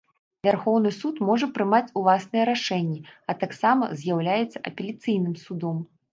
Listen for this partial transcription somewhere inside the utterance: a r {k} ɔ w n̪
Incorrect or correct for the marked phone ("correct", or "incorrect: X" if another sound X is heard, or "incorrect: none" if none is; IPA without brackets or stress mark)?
incorrect: x